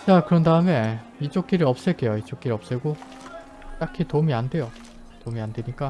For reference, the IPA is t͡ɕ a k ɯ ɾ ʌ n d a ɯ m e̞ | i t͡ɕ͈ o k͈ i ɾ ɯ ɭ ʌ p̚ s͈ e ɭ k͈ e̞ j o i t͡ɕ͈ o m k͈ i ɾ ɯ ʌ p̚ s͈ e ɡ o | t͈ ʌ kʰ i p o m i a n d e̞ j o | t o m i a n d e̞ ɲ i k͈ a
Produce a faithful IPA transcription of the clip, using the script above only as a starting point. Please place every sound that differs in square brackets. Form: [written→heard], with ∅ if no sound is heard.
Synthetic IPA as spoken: t͡ɕ a k ɯ ɾ ʌ n d a ɯ m e̞ | i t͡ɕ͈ o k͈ i ɾ ɯ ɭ ʌ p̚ s͈ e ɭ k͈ e̞ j o i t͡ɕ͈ o [m→∅] k͈ i ɾ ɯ ʌ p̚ s͈ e ɡ o | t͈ [ʌ→a] kʰ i [p→t] o m i a n d e̞ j o | t o m i a n d e̞ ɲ i k͈ a